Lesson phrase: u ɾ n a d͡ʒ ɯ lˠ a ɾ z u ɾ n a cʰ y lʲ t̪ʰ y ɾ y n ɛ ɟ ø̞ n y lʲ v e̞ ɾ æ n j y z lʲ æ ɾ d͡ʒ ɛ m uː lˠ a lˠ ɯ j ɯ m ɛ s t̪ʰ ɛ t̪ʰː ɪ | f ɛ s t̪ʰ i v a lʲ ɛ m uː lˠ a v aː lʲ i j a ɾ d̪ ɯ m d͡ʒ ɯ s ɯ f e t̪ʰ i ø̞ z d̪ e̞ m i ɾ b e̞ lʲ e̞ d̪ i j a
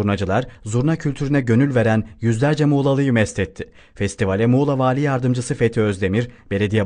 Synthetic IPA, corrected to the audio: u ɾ n a d͡ʒ ɯ lˠ a ɾ z u ɾ n a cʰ y lʲ t̪ʰ y ɾ y n ɛ ɟ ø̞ n y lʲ v e̞ ɾ æ n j y z lʲ æ ɾ d͡ʒ ɛ m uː lˠ a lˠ ɯ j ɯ m ɛ s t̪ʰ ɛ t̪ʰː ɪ | f ɛ s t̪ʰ i v a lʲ ɛ m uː lˠ a v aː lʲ i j a ɾ d̪ ɯ m d͡ʒ ɯ s ɯ f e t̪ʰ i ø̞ z d̪ e̞ m i ɾ b e̞ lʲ e̞ d̪ i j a